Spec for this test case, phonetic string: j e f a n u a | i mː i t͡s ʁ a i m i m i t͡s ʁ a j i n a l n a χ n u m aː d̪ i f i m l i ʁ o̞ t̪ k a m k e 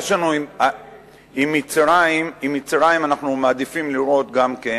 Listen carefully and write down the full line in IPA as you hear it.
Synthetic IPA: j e ʃ a n u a | i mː i t͡s ʁ a i m i m i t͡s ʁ a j i m a n a χ n u m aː d̪ i f i m l i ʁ o̞ t̪ ɡ a m k e